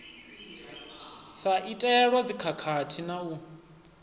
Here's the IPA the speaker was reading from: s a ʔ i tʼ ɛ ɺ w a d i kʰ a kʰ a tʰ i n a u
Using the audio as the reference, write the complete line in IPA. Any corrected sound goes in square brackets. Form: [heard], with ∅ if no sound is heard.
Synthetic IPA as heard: s a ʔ i tʼ ɛ ɺ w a [d͡z] i kʰ a kʰ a tʰ i n a u